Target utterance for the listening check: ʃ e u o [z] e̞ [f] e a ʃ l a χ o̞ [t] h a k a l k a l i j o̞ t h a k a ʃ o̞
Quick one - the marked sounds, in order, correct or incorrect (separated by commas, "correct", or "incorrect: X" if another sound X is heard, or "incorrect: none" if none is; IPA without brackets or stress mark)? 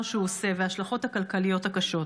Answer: incorrect: s, incorrect: v, correct